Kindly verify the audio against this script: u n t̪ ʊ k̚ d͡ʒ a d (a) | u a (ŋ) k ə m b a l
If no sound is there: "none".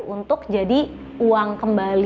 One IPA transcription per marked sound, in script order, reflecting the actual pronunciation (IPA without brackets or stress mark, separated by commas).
i, ŋ